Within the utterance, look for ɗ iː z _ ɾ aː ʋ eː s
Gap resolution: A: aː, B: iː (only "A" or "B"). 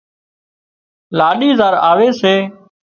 A